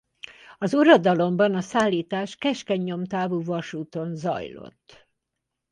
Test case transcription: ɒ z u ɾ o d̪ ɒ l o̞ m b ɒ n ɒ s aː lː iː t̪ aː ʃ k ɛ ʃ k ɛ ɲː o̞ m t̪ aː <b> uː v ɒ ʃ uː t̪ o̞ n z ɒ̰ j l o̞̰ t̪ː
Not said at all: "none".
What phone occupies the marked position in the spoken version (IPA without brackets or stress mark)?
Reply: v